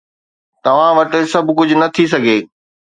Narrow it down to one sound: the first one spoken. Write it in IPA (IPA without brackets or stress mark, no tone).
t̪